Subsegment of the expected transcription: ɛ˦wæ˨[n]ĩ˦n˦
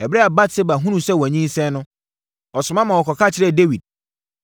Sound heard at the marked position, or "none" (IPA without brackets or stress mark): ɲ